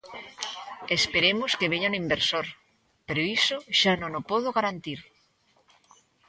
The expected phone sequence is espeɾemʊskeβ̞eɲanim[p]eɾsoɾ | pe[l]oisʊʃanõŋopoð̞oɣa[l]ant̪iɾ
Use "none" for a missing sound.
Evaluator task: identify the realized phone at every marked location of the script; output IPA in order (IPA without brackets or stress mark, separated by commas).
b, ɾ, ɾ